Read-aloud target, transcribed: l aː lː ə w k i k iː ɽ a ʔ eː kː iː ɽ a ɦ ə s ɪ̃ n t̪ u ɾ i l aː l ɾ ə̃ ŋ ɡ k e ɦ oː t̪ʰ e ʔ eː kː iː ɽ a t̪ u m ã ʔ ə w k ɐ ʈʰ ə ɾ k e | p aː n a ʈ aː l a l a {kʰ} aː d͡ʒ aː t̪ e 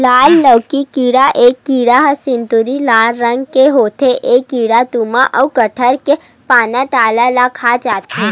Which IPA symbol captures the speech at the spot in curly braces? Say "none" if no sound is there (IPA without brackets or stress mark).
kʰ